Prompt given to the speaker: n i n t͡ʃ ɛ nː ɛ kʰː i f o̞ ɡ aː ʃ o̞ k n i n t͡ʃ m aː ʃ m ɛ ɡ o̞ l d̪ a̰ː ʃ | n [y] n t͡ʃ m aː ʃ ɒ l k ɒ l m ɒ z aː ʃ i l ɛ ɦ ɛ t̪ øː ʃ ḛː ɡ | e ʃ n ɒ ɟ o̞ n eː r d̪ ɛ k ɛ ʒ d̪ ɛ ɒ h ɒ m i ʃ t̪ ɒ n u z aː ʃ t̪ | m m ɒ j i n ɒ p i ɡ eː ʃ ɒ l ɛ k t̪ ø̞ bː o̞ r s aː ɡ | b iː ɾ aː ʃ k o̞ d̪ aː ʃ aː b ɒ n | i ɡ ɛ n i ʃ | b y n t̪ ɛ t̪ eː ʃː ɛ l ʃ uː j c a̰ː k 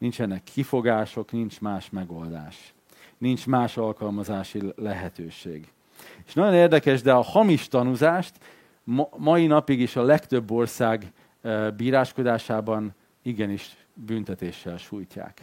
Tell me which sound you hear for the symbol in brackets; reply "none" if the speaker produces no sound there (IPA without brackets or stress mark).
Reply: i